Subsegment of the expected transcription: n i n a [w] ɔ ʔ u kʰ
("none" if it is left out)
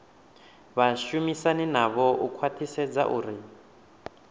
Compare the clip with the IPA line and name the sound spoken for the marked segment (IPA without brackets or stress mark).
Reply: β